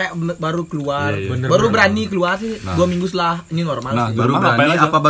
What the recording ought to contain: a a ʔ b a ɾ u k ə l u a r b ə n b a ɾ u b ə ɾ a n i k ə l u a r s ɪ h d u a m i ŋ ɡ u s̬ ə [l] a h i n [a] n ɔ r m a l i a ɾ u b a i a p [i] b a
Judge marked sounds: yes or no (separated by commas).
yes, no, no